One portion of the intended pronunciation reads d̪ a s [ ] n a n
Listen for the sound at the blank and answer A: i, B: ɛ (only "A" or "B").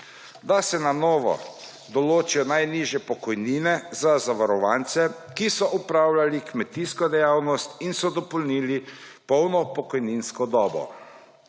B